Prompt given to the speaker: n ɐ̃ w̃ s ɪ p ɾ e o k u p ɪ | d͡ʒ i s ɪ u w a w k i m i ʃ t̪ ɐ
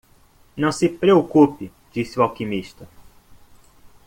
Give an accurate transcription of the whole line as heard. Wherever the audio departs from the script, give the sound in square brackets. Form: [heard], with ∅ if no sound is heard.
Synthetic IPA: n ɐ̃ w̃ s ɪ p ɾ e o k u p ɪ | d͡ʒ i s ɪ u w a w k i m i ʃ t̪ ɐ